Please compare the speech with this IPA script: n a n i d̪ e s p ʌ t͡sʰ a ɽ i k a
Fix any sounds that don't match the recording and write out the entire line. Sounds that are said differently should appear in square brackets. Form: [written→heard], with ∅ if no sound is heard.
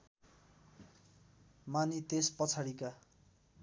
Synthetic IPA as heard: [n→m] a n i [d̪→t̪] e s p ʌ t͡sʰ a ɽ i k a